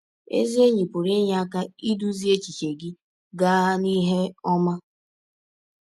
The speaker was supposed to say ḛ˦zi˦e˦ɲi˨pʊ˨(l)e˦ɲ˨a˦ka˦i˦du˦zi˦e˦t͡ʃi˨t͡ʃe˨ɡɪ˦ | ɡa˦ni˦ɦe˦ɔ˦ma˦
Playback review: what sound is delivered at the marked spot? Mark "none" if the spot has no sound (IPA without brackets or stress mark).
ɾ